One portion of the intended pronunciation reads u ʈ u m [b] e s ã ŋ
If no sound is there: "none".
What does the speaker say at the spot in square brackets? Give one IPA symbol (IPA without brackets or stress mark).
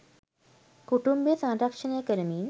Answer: b